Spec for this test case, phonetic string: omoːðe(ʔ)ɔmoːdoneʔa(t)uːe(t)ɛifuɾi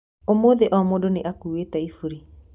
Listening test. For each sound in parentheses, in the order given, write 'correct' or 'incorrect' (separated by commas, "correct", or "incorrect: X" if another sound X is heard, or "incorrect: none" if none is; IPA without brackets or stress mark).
correct, incorrect: k, correct